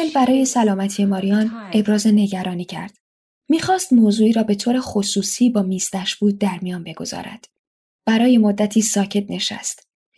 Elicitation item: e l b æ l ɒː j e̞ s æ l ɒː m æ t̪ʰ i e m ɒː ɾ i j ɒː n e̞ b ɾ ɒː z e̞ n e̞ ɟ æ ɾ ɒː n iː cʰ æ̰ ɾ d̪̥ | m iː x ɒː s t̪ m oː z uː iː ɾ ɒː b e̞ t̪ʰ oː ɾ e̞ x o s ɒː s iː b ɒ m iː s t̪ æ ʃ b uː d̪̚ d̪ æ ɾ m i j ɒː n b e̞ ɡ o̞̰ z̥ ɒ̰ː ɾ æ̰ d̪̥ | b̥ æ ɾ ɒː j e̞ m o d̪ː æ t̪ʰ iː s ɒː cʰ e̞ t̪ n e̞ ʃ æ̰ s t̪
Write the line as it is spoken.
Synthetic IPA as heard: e l b æ ɾ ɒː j e̞ s æ l ɒː m æ t̪ʰ i e m ɒː ɾ i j ɒː n e̞ b ɾ ɒː z e̞ n e̞ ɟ æ ɾ ɒː n iː cʰ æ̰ ɾ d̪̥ | m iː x ɒː s t̪ m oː z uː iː ɾ ɒː b e̞ t̪ʰ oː ɾ e̞ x o s uː s iː b ɒː m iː s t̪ æ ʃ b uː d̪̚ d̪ æ ɾ m i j ɒː n b e̞ ɡ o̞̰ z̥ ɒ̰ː ɾ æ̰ d̪̥ | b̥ æ ɾ ɒː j e̞ m o d̪ː æ t̪ʰ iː s ɒː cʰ e̞ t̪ n e̞ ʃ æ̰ s t̪